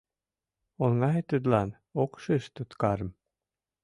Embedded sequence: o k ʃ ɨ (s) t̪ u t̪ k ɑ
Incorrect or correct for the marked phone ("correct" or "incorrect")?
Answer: incorrect